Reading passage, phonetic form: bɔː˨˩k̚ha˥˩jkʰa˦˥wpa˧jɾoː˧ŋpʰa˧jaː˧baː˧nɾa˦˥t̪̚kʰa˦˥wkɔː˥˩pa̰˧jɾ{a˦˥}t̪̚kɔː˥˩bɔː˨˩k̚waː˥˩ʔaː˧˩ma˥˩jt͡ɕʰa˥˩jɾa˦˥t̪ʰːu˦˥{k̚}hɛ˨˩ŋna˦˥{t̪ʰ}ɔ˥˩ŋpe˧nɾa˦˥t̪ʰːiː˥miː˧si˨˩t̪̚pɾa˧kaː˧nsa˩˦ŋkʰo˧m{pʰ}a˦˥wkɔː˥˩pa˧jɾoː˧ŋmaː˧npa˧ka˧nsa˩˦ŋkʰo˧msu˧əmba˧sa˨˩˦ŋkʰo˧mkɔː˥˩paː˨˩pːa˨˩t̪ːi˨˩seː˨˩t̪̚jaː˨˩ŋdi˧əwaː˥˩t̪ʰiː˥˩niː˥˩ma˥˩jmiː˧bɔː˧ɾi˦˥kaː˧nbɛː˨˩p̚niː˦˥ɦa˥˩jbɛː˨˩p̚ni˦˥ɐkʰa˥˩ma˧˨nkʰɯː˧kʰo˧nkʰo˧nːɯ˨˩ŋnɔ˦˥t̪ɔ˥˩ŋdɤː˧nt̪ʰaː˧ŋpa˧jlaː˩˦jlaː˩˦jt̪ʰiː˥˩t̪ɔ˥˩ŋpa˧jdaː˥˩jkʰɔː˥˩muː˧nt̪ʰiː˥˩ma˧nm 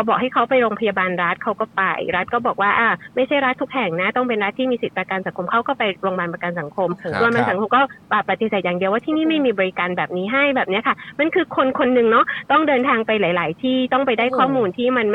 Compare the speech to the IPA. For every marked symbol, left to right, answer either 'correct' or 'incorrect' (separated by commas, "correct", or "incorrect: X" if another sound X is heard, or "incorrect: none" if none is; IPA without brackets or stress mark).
correct, correct, incorrect: t̪, incorrect: kʰ